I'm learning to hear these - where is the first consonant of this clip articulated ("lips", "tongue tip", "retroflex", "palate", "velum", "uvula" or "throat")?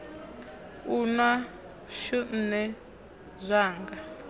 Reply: tongue tip